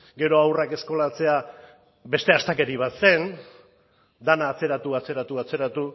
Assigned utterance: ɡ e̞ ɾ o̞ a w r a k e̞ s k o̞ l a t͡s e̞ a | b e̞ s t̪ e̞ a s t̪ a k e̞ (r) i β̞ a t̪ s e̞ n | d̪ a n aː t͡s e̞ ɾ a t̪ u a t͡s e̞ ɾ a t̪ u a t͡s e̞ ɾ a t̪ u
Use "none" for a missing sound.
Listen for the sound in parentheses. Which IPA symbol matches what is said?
ɾ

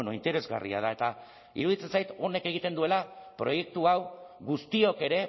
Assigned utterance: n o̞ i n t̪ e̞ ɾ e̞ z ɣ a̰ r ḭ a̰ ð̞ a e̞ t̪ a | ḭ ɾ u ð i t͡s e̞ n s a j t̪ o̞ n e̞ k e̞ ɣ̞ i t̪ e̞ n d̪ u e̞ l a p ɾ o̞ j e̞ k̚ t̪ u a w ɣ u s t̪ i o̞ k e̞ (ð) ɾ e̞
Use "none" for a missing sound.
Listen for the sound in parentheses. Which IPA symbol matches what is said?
none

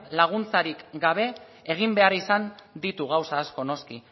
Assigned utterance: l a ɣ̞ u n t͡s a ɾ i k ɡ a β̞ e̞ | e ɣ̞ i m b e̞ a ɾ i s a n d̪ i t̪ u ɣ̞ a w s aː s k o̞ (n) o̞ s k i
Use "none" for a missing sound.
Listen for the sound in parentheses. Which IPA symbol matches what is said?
n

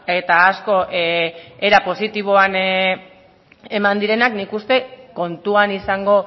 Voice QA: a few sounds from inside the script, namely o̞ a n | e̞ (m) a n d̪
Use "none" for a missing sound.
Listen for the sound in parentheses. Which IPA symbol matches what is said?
m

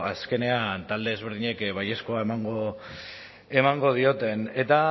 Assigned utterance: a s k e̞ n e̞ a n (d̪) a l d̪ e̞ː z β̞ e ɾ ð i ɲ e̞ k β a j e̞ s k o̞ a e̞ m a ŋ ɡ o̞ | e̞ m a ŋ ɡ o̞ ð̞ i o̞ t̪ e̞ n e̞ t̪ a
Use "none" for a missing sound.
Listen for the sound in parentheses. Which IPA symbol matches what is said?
t̪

